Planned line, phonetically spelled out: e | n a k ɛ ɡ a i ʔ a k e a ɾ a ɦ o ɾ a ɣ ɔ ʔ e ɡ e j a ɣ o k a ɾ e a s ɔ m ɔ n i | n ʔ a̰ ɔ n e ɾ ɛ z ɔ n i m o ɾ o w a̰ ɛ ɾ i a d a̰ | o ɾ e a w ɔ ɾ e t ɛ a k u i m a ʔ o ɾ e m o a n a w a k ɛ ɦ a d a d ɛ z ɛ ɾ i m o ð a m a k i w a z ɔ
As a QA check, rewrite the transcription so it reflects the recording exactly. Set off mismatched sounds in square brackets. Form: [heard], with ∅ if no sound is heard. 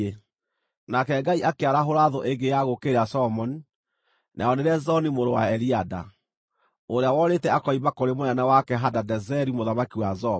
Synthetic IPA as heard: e | n a k ɛ ɡ a i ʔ a k e a ɾ a ɦ o ɾ a [ð] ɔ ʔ e ɡ e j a ɣ o k [e] ɾ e a s ɔ m ɔ n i | n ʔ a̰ ɔ n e ɾ ɛ z ɔ n i m o ɾ o w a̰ ɛ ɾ i a d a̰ | o ɾ e a w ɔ ɾ e t ɛ a k [ɔ] i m a [k] o ɾ e m o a n a w a k ɛ ɦ a d a d ɛ z ɛ ɾ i m o ð a m a k i w a z ɔ